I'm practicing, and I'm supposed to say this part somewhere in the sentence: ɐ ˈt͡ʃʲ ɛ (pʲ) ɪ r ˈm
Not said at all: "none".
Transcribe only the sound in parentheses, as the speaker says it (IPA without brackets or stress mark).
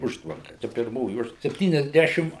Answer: pʲ